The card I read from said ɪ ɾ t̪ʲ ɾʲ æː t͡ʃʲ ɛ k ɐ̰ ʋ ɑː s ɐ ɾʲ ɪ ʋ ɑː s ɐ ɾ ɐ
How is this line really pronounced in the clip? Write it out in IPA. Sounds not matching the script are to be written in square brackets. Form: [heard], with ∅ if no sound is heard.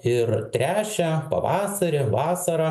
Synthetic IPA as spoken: ɪ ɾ t̪ʲ ɾʲ æː t͡ʃʲ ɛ [p] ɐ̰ ʋ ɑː s ɐ ɾʲ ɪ ʋ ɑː s ɐ ɾ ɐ